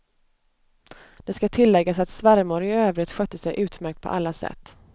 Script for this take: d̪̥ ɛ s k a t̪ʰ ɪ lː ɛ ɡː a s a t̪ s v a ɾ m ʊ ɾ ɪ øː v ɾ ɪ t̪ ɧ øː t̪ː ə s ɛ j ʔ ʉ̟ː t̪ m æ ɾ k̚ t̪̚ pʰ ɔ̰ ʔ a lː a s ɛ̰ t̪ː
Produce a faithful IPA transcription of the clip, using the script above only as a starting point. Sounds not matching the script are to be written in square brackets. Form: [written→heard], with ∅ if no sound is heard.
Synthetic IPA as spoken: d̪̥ ɛ s k a t̪ʰ ɪ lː ɛ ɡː a s a t̪ s v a ɾ m ʊ ɾ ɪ øː v ɾ ɪ t̪ ɧ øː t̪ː ə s ɛ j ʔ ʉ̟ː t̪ m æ ɾ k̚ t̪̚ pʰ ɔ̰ ʔ a lː a s ɛ̰ t̪ː